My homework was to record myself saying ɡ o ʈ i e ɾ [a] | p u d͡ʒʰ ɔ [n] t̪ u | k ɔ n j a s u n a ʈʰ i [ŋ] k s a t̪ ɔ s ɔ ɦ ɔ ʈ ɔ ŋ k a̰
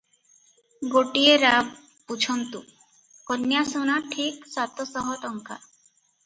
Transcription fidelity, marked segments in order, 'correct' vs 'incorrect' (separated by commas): correct, correct, incorrect